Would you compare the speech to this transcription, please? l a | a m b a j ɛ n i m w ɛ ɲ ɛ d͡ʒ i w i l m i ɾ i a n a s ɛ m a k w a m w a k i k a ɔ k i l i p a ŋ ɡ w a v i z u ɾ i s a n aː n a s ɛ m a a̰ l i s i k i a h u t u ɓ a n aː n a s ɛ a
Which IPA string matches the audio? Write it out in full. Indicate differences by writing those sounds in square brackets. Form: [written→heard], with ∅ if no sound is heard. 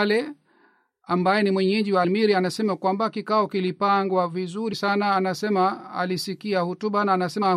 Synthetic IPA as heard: l [a→ɛ] | a m b a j ɛ n i m w ɛ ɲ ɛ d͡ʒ i w [i→a] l m i ɾ i a n a s ɛ m a k w a m [w→b] a k i k a ɔ k i l i p a ŋ ɡ w a v i z u ɾ i s a n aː n a s ɛ m a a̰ l i s i k i a h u t u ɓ a n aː n a s ɛ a